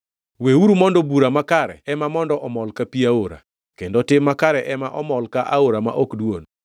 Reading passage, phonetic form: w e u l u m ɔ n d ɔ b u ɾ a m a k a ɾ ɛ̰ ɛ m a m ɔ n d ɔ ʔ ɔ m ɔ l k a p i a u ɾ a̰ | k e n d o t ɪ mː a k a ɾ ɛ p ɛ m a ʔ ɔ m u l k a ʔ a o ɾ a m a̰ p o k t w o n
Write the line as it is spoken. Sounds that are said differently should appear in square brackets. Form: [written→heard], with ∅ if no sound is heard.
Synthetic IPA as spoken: w e u [l→ɾ] u m ɔ n d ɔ b u ɾ a m a k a ɾ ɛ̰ ɛ m a m ɔ n d ɔ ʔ ɔ m ɔ l k a p i a [u→o] ɾ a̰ | k e n d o t ɪ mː a k a ɾ ɛ [p→ʔ] ɛ m a ʔ ɔ m [u→ɔ] l k a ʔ a o ɾ a m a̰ [p→ʔ] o k [t→d] w o n